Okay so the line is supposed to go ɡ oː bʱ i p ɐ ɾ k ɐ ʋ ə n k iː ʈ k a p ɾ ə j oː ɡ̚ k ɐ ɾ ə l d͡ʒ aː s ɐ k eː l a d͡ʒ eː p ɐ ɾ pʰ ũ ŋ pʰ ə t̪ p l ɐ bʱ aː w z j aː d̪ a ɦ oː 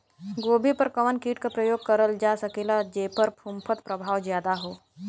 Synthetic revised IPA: ɡ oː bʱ i p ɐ ɾ k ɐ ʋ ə n k iː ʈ k a p ɾ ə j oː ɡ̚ k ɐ ɾ ə l d͡ʒ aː s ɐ k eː l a d͡ʒ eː p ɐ ɾ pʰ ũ m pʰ ə t̪ p ɾ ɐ bʱ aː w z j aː d̪ a ɦ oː